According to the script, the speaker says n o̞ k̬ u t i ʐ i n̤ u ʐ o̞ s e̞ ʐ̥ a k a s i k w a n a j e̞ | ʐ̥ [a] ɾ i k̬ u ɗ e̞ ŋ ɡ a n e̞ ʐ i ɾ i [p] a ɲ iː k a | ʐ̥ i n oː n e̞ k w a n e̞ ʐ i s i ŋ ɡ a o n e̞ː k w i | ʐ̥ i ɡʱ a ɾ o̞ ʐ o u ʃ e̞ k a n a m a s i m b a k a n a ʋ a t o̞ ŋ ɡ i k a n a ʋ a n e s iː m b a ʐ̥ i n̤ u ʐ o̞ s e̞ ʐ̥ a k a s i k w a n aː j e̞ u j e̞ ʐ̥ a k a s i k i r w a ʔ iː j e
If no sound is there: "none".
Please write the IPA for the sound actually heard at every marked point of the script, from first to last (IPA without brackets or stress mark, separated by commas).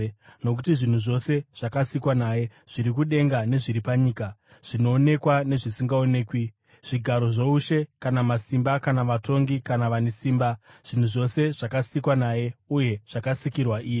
i, p